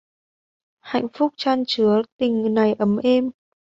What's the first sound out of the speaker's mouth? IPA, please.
h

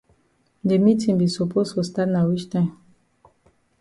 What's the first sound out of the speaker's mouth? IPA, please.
d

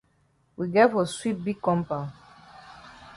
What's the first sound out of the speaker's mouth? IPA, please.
w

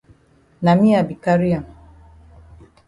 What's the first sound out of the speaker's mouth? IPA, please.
n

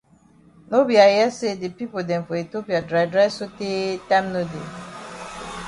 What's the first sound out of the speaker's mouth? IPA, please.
n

